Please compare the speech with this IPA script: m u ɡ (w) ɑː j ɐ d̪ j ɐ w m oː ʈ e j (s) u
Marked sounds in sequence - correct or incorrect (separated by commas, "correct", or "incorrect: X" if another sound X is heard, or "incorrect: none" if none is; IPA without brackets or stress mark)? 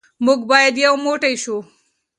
incorrect: b, incorrect: ʃ